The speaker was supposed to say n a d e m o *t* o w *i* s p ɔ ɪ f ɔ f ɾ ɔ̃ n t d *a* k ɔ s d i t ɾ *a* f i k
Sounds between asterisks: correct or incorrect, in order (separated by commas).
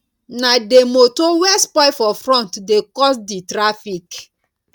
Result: correct, incorrect, incorrect, correct